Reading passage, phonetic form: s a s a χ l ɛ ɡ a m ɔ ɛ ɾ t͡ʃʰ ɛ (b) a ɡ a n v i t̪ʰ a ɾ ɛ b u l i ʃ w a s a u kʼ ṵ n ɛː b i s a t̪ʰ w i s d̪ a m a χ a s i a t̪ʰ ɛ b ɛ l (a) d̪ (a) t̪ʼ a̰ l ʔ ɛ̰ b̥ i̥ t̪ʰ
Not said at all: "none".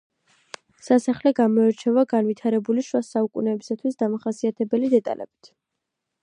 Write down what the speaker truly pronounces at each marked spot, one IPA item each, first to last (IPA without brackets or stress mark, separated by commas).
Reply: v, i, ɛ